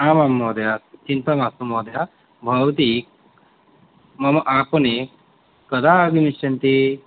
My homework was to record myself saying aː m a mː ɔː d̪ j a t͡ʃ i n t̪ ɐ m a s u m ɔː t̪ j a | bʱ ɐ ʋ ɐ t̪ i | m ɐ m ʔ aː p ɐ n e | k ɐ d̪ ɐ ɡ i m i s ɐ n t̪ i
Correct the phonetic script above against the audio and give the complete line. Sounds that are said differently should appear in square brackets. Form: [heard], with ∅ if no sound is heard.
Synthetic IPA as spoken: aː m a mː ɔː d̪ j a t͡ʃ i n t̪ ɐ m a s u m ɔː [d̪] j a | bʱ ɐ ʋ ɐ t̪ i | m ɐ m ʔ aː p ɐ n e | k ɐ d̪ [a] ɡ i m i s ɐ n t̪ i